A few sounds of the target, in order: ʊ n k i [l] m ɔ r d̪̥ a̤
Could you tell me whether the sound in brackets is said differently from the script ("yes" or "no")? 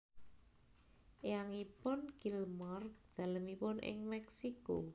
no